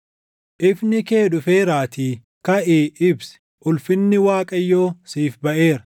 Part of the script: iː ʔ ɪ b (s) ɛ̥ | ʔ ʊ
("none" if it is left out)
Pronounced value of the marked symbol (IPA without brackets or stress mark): s